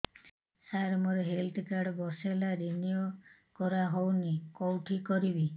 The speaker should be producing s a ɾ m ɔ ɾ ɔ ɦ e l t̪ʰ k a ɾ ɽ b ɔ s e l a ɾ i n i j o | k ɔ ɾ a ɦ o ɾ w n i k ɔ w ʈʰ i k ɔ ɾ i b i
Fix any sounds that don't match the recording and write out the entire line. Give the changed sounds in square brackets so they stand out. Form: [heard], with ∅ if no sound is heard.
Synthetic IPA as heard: s a ɾ m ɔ ɾ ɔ ɦ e l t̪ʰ k a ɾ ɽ b ɔ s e l a ɾ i n i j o | k ɔ ɾ a ɦ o [∅] w n i k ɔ w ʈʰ i k ɔ ɾ i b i

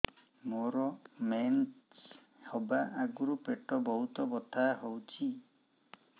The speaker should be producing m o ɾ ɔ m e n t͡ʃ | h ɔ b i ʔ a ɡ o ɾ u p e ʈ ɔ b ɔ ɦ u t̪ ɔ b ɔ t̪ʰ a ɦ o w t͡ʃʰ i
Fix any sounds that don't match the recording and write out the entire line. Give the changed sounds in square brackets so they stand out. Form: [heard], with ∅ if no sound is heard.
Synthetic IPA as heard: m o ɾ ɔ m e n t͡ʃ | h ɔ b [a] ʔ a ɡ [u] ɾ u p e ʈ ɔ b ɔ ɦ u t̪ ɔ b ɔ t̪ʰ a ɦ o w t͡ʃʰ i

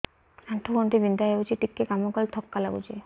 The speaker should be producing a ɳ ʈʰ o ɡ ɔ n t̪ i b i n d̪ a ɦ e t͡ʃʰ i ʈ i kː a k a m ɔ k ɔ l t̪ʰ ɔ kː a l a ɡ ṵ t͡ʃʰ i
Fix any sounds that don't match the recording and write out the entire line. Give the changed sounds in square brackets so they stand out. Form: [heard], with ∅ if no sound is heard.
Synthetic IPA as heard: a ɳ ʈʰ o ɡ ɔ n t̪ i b i n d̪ a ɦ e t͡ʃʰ i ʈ i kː [e] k a m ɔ k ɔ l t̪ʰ ɔ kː a l a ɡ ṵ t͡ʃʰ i

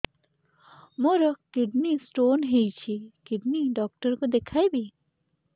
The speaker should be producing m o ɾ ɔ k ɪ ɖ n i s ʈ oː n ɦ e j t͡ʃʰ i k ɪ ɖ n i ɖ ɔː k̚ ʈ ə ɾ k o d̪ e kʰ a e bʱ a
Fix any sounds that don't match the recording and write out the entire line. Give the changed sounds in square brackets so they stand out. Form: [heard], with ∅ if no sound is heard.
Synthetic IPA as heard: m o ɾ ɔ k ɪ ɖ n i s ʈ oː n ɦ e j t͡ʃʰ i k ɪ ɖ n i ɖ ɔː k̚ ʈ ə ɾ k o d̪ e kʰ a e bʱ [i]

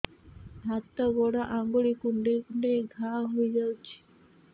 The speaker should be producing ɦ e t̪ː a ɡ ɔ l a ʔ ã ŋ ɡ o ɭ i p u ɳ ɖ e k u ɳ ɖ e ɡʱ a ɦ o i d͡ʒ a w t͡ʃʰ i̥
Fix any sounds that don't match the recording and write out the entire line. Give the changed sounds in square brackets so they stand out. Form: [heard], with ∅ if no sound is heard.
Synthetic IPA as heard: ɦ [a] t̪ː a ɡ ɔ [ɽ] a ʔ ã ŋ ɡ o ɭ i [k] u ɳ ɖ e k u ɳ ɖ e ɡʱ a ɦ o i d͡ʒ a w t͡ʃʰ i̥

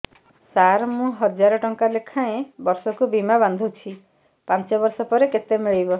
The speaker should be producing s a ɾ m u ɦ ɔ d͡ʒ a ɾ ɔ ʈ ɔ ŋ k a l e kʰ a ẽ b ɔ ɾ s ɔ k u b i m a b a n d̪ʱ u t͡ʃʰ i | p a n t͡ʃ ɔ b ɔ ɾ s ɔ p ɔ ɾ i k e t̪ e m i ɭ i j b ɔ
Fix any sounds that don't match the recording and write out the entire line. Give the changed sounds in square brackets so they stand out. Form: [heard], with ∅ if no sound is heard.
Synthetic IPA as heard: s a ɾ m [ũ] ɦ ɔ d͡ʒ a ɾ ɔ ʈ ɔ ŋ k a l e kʰ a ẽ b ɔ ɾ s ɔ k u b i m a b a n d̪ʱ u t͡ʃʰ i | p a n t͡ʃ ɔ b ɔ ɾ s ɔ p ɔ ɾ [e] k e t̪ e m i ɭ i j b ɔ

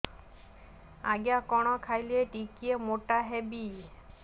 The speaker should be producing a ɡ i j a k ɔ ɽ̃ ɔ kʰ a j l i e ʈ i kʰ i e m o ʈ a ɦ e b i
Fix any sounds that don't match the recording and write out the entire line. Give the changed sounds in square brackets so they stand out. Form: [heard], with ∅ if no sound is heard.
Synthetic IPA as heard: a ɡ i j a k ɔ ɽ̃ ɔ kʰ a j l i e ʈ i [k] i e m o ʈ a ɦ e b i

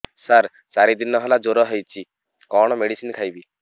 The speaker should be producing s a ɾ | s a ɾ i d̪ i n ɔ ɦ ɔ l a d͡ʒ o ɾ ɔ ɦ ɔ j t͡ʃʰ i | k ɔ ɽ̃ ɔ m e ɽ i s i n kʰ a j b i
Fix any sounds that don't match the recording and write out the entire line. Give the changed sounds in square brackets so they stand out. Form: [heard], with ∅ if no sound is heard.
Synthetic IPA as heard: s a ɾ | s a ɾ i d̪ i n ɔ ɦ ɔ l a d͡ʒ o ɾ ɔ ɦ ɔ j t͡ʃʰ i | k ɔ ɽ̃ ɔ m e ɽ i s i n kʰ a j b i

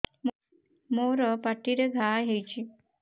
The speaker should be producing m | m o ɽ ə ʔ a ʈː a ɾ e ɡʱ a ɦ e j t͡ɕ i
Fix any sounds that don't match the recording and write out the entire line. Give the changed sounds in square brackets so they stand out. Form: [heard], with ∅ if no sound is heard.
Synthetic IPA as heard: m | m o [ɾ] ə [p] a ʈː [i] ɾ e ɡʱ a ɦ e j t͡ɕ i

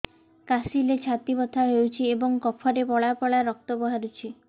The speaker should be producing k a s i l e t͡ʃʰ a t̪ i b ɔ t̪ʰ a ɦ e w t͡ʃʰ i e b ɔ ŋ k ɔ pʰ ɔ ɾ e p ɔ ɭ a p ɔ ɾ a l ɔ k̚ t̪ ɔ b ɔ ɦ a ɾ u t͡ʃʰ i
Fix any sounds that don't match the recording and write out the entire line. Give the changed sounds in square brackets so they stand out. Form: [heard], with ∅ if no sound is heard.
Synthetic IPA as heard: k a s i l e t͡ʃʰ a t̪ i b ɔ t̪ʰ a ɦ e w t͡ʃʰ i e b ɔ ŋ k ɔ pʰ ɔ ɾ e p ɔ ɭ a p ɔ [ɭ] a [ɾ] ɔ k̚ t̪ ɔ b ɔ ɦ a ɾ u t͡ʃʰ i

